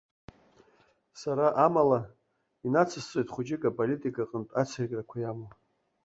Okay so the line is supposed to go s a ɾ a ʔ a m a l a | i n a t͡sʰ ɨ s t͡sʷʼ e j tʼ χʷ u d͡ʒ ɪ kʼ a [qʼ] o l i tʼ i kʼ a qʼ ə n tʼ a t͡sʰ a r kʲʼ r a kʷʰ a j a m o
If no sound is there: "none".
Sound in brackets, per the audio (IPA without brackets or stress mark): pʼ